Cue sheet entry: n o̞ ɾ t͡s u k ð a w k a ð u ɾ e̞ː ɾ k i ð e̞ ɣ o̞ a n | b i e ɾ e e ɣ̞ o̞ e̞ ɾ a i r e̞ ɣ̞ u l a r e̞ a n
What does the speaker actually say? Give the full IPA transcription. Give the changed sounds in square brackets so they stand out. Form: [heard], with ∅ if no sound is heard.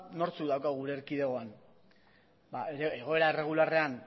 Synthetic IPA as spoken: n o̞ ɾ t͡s u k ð a w k a [ɣ] u ɾ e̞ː ɾ k i ð e̞ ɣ o̞ a n | b [a] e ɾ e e ɣ̞ o̞ e̞ ɾ a [e] r e̞ ɣ̞ u l a r e̞ a n